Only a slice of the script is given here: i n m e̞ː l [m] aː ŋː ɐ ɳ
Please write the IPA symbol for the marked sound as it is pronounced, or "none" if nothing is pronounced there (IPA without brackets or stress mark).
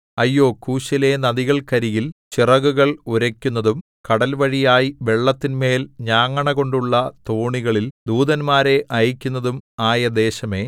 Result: ɲ